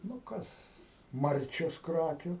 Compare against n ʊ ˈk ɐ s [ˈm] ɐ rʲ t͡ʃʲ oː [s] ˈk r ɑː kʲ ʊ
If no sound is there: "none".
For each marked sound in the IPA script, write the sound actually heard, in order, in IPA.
m, s

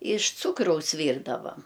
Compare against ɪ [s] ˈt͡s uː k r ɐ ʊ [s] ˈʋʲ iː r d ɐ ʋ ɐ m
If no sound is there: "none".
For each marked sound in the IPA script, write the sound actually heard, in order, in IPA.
ʃ, s

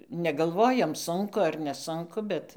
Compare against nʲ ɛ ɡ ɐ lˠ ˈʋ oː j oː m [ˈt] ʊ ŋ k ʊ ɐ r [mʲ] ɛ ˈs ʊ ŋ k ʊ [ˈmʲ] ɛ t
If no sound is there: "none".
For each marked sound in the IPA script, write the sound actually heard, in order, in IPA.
s, nʲ, bʲ

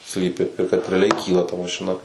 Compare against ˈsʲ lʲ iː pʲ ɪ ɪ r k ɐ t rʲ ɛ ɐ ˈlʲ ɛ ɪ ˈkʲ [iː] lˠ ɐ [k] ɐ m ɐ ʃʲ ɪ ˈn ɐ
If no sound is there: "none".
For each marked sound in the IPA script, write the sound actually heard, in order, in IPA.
iː, t

